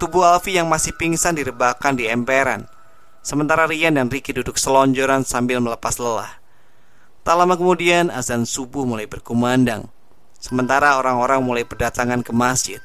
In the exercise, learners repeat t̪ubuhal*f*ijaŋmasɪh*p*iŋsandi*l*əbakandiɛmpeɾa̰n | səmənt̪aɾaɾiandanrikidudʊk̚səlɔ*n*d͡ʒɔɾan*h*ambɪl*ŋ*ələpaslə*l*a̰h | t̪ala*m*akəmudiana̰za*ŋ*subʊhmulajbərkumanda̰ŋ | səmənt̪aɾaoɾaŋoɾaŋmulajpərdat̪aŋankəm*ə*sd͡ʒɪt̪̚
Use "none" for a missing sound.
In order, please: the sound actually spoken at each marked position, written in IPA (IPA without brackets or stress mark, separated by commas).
f, p, ɾ, ɲ, s, m, l, m, n, a